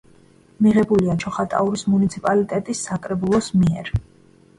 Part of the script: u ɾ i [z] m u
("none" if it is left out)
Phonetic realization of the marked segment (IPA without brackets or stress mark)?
s